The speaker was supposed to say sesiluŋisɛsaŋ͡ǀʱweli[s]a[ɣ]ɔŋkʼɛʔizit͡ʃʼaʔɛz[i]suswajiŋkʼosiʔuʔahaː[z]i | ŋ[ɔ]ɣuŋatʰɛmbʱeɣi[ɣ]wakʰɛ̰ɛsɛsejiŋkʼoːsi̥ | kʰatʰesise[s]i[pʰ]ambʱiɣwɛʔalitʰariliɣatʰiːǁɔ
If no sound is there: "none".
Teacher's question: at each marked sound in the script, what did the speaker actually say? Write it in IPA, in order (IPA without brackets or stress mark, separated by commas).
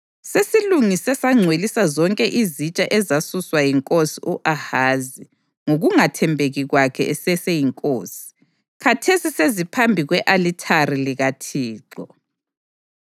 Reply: s, z, a, z, o, ɣ, z, pʰ